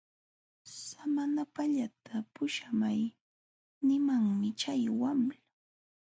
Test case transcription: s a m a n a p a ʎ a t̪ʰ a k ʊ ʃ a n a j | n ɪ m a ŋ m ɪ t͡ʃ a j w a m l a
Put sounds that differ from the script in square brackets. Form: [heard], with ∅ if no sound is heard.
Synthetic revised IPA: s a m a n a p a ʎ a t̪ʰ a [p] ʊ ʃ a [m] a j | n ɪ m a ŋ m ɪ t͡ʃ a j w a m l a